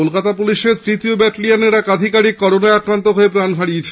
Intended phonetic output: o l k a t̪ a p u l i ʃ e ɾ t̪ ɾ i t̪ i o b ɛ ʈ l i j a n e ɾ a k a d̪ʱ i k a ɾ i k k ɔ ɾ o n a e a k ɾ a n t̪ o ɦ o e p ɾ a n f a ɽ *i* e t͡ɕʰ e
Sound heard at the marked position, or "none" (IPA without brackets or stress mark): i